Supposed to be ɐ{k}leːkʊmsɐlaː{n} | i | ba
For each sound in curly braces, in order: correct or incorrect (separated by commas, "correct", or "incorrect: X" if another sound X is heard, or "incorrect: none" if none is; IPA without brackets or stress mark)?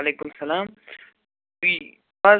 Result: incorrect: none, incorrect: m